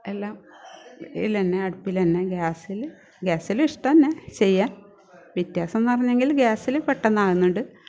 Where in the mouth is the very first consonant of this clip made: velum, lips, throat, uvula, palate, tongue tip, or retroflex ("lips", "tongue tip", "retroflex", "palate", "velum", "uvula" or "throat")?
tongue tip